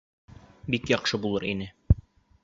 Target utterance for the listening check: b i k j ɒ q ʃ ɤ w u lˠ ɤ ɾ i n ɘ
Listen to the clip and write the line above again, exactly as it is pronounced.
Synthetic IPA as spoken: b i k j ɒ q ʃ ɤ b u lˠ ɤ ɾ i n ɘ